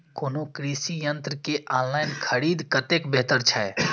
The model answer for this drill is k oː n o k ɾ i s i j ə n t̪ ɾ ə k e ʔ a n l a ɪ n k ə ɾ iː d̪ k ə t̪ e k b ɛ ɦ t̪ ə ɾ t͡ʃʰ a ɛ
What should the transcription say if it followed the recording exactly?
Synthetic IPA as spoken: k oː n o k ɾ i s i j ə n t̪ ɾ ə k e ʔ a n l a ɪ n kʰ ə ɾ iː d̪ k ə t̪ e k b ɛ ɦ t̪ ə ɾ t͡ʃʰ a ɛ

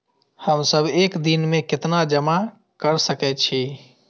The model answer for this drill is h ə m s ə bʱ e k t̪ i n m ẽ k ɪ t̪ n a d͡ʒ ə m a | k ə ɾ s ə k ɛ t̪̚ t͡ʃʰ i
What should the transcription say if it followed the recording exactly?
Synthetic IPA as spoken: h ə m s ə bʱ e k d̪ i n m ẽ k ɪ t̪ n a d͡ʒ ə m a | k ə ɾ s ə k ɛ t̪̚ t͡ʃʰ i

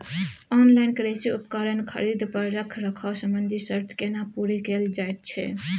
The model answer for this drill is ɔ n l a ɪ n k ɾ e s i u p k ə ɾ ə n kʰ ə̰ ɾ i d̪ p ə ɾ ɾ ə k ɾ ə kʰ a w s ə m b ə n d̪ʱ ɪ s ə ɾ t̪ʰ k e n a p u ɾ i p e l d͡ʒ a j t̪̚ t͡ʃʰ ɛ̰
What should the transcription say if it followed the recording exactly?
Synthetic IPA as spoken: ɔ n l a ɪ n k ɾ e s i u p k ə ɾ ə n kʰ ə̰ ɾ i d̪ p ə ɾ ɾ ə kʰ ɾ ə kʰ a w s ə m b ə n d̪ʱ i s ə ɾ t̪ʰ k e n a p u ɾ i k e l d͡ʒ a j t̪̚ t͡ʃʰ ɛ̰

